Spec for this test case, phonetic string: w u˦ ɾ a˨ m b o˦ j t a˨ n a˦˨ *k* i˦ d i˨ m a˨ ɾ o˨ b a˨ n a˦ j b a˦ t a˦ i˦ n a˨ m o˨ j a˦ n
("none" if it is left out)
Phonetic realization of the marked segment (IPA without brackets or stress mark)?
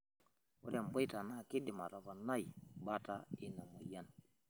k